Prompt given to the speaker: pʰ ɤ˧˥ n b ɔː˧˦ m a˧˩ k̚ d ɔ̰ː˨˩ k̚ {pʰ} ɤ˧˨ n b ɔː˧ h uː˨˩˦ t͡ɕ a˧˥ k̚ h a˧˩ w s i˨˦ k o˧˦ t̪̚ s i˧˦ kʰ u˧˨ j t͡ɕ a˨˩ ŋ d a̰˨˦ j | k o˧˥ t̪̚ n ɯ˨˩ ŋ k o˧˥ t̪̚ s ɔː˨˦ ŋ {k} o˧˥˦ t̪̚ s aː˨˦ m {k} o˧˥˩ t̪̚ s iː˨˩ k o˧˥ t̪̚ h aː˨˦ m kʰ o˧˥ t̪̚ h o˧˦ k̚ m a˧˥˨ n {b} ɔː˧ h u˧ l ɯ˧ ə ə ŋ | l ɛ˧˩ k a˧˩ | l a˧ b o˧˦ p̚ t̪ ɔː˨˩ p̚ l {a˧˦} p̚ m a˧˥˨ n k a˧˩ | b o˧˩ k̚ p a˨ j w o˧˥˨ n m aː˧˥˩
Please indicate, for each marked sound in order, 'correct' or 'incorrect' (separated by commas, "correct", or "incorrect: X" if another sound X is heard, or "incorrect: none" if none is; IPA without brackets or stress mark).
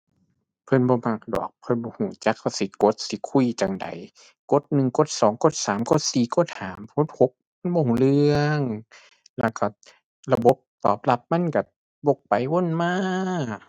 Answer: correct, correct, correct, correct, correct